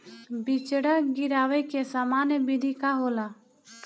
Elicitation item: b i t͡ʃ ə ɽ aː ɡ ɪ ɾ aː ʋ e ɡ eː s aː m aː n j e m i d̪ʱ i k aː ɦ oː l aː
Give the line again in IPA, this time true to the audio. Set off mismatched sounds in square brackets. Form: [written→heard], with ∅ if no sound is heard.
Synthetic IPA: b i t͡ʃ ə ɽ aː ɡ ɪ ɾ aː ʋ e [ɡ→k] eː s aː m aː n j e [m→b] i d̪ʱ i k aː ɦ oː l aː